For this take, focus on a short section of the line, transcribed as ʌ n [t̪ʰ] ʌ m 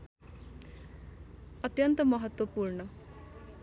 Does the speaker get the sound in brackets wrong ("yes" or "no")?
yes